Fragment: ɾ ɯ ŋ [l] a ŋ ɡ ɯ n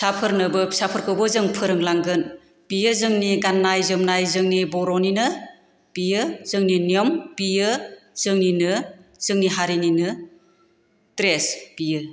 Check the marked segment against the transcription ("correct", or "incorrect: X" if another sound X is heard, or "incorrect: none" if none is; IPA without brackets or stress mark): correct